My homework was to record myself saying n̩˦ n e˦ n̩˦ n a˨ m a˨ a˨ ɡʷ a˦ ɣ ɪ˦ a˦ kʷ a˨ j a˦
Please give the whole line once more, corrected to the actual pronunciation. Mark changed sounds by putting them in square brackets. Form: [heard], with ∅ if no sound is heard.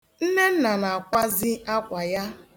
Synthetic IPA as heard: n̩˦ n e˦ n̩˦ n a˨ [n] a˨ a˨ [kʷ] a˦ [z] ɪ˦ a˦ kʷ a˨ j a˦